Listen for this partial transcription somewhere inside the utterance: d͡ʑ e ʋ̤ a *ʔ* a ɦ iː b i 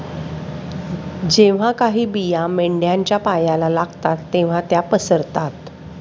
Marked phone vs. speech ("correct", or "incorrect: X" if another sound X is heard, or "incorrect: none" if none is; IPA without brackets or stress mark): incorrect: k